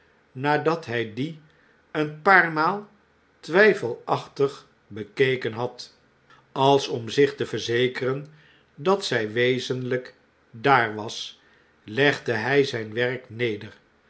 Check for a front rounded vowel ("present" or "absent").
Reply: absent